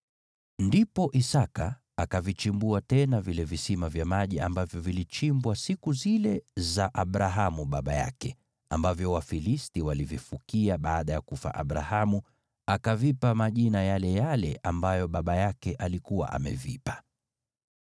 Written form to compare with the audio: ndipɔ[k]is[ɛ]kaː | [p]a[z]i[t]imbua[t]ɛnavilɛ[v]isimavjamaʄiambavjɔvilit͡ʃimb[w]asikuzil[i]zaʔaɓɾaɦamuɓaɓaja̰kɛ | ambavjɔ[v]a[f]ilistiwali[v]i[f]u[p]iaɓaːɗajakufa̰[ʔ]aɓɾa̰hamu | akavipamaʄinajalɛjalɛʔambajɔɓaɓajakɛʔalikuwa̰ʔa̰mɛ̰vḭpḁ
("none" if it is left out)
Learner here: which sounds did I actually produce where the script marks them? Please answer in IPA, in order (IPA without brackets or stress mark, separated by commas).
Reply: ʔ, a, k, v, t͡ʃ, t, v, w, ɛ, w, f, v, f, k, ʔ